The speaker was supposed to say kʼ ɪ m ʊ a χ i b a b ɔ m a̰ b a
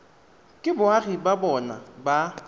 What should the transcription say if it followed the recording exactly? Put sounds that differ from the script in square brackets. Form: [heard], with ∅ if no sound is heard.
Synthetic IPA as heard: kʼ ɪ [b] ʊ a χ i b a b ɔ [n] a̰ b a